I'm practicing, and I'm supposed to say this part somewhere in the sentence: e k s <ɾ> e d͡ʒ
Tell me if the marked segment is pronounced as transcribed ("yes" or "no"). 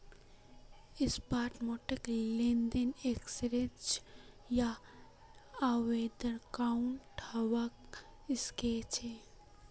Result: yes